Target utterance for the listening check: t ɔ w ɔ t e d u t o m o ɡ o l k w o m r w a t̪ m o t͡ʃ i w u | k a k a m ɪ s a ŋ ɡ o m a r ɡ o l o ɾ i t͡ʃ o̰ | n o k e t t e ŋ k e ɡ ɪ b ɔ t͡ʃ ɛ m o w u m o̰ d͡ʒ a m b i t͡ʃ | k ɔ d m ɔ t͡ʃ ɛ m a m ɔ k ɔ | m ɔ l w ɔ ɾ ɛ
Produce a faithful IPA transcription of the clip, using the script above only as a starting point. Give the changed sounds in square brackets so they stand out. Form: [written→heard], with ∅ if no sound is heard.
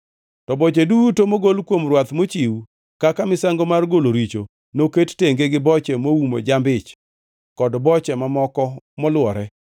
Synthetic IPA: t ɔ [w→b] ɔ [t→t͡ʃ] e d u t o m o ɡ o l k w o m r w a t̪ m o t͡ʃ i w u | k a k a m ɪ s a ŋ ɡ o m a r ɡ o l o ɾ i t͡ʃ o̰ | n o k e t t e ŋ [k→ɡ] e ɡ ɪ b ɔ t͡ʃ ɛ m o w u m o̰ d͡ʒ a m b [i→ɪ] t͡ʃ | k ɔ d [m→b] ɔ t͡ʃ ɛ m a m ɔ k ɔ | m ɔ l w ɔ ɾ ɛ